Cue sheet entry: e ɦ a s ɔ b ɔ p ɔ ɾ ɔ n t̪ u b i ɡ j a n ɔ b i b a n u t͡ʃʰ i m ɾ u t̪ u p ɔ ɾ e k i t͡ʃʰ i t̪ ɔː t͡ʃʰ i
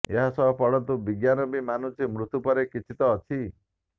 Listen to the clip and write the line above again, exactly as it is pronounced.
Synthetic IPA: e ɦ a s ɔ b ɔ p ɔ ɽ ɔ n t̪ u b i ɡ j a n ɔ b i m a n u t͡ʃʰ i m ɾ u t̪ u p ɔ ɾ e k i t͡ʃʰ i t̪ ɔː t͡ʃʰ i